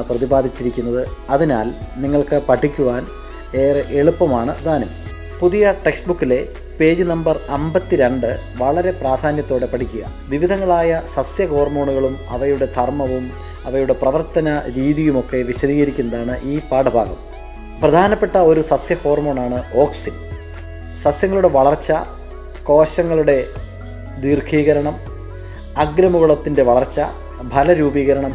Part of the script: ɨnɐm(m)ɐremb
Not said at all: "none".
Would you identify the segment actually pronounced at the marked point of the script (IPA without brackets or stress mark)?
b